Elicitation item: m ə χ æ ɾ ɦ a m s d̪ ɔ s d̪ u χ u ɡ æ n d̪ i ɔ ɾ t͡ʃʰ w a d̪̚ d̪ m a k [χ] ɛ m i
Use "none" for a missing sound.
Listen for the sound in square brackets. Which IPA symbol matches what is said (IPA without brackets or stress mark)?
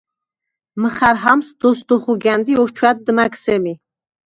s